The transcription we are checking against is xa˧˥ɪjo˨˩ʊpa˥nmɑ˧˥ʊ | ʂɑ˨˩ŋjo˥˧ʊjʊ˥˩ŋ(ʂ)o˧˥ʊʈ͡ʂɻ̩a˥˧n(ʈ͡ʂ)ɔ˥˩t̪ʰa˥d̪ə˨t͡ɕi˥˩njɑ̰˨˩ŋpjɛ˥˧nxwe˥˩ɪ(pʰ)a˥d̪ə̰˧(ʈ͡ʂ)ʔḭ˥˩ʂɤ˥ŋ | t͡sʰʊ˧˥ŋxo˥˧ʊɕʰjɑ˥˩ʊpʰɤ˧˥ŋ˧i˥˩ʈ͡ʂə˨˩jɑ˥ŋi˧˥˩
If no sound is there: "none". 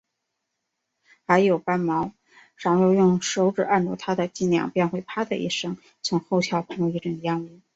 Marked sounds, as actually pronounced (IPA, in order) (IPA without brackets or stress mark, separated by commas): ʂ, ʈ͡ʂ, pʰ, none